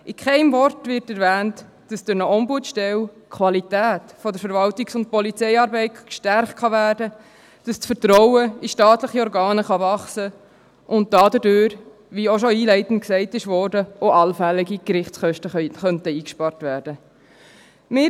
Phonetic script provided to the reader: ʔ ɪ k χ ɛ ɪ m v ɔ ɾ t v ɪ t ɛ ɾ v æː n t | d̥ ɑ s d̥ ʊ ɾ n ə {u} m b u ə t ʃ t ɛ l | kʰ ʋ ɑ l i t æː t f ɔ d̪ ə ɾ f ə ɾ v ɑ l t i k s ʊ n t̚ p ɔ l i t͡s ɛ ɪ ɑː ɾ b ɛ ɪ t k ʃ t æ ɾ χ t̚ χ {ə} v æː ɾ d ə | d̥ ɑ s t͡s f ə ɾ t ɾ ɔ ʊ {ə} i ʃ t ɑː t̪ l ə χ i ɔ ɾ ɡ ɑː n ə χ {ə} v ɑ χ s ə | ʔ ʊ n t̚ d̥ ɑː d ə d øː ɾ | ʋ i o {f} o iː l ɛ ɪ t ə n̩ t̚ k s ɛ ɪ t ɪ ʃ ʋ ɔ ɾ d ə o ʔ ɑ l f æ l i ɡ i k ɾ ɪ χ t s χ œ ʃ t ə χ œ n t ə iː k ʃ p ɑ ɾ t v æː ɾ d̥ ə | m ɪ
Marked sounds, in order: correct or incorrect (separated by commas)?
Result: incorrect, incorrect, correct, incorrect, incorrect